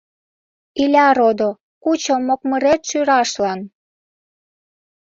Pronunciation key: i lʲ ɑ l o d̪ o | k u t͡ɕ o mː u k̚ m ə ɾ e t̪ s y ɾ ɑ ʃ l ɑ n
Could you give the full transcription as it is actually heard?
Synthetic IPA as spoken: i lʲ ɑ ɾ o d̪ o | k u t͡ɕ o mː o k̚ m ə ɾ e t̪ ʃ y ɾ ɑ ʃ l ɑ n